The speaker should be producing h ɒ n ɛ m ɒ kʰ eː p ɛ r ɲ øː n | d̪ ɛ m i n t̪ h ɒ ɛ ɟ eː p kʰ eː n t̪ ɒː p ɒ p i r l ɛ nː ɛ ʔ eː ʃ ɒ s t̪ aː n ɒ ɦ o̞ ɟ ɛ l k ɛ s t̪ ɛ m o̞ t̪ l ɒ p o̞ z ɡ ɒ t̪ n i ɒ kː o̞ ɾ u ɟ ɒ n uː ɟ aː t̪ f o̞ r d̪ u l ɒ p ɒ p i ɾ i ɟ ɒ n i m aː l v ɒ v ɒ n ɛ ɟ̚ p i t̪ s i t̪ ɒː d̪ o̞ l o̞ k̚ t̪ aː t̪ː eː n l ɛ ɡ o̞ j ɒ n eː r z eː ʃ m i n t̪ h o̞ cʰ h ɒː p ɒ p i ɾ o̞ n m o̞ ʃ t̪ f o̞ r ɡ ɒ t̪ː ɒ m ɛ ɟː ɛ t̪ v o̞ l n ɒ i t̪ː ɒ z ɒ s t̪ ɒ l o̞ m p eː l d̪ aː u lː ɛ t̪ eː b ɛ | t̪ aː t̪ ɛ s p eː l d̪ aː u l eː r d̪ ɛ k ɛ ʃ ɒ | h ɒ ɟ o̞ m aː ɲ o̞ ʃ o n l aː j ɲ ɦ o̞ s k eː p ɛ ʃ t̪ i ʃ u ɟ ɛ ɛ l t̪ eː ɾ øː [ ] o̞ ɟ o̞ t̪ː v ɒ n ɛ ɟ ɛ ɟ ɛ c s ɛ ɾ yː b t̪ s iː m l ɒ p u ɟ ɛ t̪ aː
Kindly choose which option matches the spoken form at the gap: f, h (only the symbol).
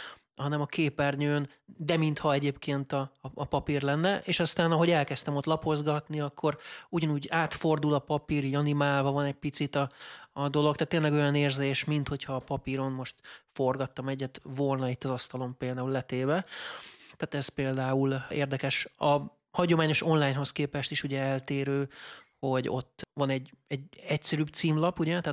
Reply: h